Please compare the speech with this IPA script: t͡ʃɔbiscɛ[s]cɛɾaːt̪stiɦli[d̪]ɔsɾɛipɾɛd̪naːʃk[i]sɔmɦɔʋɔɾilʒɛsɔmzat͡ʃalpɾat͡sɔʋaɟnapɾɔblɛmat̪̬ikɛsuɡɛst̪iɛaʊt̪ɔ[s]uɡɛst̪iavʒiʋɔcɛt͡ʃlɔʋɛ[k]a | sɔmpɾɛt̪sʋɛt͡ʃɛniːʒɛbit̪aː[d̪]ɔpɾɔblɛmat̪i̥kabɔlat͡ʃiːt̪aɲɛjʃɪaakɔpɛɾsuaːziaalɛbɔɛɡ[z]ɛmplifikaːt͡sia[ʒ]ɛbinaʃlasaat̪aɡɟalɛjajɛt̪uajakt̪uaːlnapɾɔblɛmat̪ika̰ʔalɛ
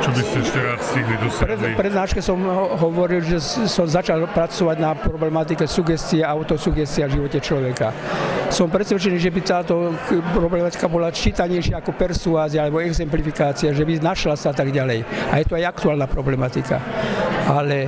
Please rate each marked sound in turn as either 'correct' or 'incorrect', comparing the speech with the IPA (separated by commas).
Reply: incorrect, correct, incorrect, correct, correct, incorrect, correct, correct